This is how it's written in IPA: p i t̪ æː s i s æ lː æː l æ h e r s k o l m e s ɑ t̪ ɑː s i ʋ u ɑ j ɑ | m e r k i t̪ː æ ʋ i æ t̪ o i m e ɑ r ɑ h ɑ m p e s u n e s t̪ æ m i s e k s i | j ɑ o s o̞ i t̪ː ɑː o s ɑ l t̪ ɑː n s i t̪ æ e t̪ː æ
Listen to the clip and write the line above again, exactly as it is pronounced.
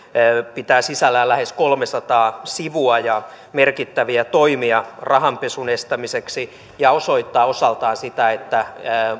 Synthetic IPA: p i t̪ æː s i s æ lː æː l æ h e s k o l m e s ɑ t̪ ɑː s i ʋ u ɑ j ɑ | m e r k i t̪ː æ ʋ i æ t̪ o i m i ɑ r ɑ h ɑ m p e s u n e s t̪ æ m i s e k s i | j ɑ o s o̞ i t̪ː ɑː o s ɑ l t̪ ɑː n s i t̪ æ e t̪ː æ